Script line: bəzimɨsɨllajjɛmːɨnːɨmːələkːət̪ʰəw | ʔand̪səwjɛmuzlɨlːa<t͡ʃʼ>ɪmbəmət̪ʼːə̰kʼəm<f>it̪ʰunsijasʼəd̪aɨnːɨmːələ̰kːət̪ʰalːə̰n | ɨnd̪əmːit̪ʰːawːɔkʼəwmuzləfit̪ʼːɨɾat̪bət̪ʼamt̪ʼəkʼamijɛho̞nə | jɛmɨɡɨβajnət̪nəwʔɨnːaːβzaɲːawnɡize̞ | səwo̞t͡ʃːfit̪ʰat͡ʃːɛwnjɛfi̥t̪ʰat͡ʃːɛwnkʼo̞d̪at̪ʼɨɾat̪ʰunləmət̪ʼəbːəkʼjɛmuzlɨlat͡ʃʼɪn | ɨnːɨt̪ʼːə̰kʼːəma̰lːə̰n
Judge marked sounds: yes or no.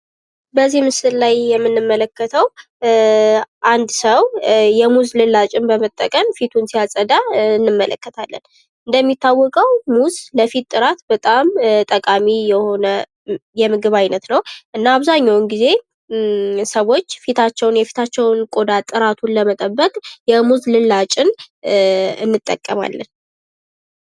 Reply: yes, yes

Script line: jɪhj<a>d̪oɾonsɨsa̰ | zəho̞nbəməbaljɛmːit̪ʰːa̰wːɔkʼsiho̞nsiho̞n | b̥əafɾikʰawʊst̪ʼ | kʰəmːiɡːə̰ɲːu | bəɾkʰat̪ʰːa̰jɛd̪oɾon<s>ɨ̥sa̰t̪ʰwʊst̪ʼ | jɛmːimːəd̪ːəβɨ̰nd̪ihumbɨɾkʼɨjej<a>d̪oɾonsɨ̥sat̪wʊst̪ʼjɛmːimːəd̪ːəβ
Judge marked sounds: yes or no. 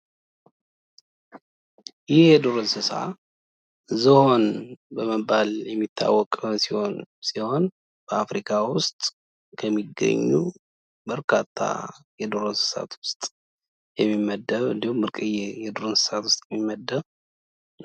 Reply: no, yes, no

